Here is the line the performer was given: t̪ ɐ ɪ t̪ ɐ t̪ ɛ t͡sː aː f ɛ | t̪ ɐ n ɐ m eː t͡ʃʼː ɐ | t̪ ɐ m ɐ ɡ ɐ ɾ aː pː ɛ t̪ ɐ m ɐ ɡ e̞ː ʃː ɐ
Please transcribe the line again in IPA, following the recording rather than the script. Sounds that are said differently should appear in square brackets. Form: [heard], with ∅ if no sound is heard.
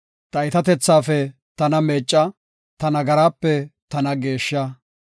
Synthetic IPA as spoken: t̪ ɐ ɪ t̪ ɐ t̪ ɛ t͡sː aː f ɛ | t̪ ɐ n ɐ m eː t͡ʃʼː ɐ | t̪ ɐ [n] ɐ ɡ ɐ ɾ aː pː ɛ t̪ ɐ [n] ɐ ɡ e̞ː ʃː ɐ